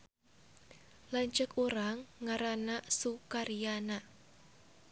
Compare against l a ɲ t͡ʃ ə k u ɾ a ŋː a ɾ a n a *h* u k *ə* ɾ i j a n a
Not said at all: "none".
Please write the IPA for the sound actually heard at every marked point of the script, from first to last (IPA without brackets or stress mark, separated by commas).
s, a